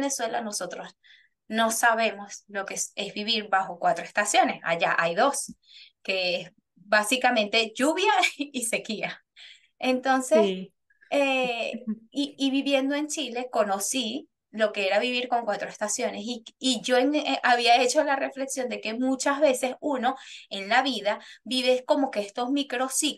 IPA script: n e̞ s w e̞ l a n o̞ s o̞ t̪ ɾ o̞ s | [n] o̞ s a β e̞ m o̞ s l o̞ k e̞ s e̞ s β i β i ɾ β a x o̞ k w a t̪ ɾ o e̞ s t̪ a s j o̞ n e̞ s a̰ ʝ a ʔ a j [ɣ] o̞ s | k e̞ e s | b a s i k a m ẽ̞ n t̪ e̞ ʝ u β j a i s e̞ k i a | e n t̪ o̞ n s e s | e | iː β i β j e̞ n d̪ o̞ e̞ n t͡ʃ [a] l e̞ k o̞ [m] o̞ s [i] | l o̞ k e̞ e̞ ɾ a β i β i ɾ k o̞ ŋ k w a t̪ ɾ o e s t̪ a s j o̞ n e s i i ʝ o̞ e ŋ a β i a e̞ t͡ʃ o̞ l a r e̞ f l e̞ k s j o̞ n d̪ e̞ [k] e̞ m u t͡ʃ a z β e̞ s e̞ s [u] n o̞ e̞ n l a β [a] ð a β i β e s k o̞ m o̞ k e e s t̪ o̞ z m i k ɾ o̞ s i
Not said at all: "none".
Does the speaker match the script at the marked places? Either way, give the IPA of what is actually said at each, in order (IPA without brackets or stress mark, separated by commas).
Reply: n, ð, i, n, i, k, u, i